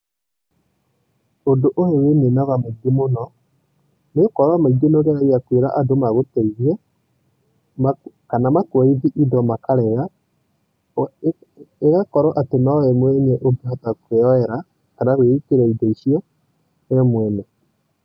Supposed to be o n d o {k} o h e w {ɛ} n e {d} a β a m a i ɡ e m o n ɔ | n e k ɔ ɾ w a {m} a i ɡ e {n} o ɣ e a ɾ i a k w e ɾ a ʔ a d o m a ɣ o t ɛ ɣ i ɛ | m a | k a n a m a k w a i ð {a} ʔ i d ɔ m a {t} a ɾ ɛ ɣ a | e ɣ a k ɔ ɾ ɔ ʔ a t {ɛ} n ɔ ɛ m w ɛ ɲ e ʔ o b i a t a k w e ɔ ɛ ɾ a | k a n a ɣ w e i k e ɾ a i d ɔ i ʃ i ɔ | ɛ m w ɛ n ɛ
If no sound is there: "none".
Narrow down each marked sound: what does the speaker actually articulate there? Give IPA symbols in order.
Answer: ʔ, e, n, m, n, i, k, e

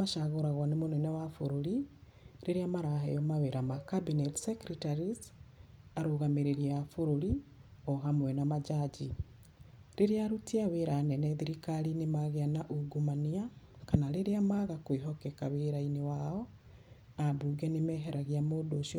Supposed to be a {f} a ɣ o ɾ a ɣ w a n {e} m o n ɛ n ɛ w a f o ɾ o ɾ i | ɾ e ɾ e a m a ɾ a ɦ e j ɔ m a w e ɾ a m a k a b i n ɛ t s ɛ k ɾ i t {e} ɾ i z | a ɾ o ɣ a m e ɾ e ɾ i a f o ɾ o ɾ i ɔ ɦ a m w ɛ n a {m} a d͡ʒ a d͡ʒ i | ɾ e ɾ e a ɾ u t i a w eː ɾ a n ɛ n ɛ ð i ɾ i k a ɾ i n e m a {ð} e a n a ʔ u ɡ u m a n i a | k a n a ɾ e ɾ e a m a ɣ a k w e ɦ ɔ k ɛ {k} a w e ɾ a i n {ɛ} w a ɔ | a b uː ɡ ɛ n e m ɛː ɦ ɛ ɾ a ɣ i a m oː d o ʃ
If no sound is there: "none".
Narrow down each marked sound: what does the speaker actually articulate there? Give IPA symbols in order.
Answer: ʃ, e, a, m, ɣ, k, e

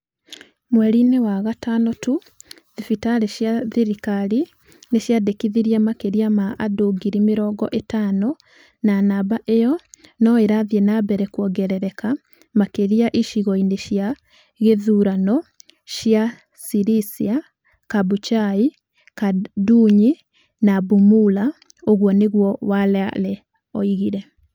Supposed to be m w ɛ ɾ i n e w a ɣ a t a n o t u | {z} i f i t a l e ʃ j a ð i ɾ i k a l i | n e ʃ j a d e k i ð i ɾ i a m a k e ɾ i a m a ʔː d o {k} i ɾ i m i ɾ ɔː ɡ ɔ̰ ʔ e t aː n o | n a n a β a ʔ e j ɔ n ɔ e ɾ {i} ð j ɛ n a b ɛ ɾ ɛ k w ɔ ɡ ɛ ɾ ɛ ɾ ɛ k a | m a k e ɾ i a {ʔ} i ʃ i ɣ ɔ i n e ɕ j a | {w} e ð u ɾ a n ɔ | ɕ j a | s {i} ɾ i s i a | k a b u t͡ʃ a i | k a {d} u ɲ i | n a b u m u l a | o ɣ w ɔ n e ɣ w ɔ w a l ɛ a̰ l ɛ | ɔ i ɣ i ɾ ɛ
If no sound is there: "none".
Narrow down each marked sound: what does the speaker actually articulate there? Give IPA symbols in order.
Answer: ð, ɡ, a, ʔ, ɣ, i, d

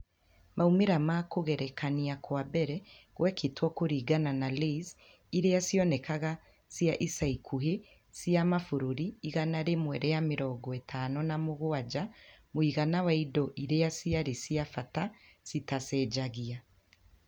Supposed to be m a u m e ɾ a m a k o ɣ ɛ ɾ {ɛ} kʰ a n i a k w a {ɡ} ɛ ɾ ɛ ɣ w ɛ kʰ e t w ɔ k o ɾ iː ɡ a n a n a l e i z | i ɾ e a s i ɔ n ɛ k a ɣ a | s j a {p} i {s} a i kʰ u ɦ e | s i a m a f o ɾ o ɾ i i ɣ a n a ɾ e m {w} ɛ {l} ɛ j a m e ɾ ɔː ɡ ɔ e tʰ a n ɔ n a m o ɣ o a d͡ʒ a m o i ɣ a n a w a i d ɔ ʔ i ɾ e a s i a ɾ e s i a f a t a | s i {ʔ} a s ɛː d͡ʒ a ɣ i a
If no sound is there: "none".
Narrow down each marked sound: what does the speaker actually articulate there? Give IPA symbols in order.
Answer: ɛ, b, ʔ, s, w, ɾ, t

